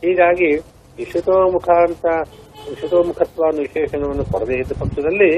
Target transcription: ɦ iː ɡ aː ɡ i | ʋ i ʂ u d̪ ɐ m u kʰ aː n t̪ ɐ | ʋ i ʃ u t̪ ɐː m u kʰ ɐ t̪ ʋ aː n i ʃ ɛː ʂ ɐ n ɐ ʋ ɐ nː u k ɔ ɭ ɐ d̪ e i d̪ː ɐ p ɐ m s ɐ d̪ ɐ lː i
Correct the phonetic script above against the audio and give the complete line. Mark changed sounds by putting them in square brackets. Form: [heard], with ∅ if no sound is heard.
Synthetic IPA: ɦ iː ɡ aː ɡ i | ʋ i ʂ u [t̪] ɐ m u kʰ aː n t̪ ɐ | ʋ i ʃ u t̪ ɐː m u kʰ ɐ t̪ ʋ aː n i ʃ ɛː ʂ ɐ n ɐ ʋ ɐ nː u k ɔ [ɽ] ɐ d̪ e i d̪ː ɐ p ɐ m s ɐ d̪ ɐ lː i